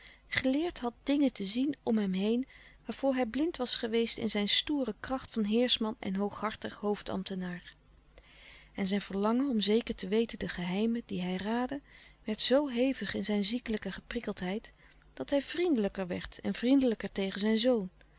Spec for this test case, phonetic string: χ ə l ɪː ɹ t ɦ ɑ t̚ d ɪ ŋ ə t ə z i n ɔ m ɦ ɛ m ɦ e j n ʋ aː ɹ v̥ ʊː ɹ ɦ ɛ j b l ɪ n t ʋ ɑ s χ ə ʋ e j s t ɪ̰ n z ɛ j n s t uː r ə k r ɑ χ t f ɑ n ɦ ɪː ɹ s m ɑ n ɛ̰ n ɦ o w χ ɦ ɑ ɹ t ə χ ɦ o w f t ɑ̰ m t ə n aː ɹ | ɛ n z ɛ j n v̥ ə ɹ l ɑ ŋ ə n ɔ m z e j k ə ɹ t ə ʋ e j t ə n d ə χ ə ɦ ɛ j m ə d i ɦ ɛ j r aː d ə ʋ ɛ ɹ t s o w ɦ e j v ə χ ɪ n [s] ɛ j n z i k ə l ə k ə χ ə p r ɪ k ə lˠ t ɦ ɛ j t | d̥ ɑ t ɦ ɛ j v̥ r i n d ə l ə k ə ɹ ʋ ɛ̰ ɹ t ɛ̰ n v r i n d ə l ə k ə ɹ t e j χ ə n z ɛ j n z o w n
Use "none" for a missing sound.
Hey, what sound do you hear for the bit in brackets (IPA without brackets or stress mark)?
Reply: z